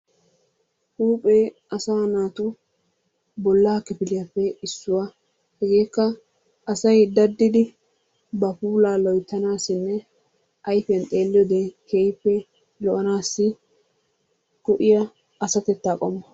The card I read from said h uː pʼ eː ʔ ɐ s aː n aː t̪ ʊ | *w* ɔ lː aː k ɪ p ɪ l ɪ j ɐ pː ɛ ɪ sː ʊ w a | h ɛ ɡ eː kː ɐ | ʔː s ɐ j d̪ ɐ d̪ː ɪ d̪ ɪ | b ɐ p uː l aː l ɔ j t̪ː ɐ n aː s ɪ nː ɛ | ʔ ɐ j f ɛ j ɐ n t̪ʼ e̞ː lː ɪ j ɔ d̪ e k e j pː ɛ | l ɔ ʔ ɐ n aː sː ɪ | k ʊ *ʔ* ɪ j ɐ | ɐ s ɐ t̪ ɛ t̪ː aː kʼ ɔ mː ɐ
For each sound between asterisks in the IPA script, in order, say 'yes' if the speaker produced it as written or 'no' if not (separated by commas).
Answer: no, yes